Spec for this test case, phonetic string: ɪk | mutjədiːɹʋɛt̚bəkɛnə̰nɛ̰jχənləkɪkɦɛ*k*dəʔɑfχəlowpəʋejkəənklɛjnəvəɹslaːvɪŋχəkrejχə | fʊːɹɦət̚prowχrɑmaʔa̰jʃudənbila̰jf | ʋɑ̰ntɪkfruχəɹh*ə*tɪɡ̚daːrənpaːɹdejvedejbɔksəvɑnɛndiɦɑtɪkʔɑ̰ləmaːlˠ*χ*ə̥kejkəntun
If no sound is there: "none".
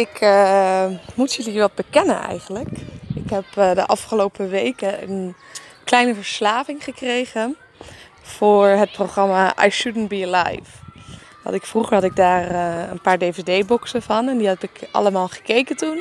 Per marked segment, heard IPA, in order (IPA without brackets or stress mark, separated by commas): p, ɑ, χ